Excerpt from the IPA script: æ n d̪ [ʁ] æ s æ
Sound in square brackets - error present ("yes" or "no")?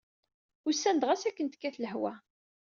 no